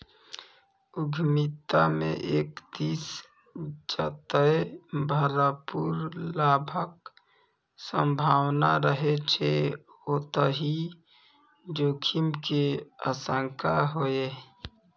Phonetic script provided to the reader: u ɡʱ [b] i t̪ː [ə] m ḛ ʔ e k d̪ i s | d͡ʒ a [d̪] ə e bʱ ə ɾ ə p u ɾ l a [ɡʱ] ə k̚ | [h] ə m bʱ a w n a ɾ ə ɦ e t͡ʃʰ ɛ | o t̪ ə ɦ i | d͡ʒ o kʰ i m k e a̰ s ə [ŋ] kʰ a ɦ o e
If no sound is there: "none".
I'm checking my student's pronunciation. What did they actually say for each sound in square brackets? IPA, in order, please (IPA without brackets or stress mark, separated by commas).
m, a, t̪, bʱ, s, ŋ